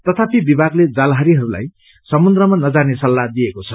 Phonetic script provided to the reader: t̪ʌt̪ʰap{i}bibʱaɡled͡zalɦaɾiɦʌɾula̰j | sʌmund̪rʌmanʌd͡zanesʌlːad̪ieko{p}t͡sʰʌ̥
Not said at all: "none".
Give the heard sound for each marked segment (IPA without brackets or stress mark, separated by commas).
i, none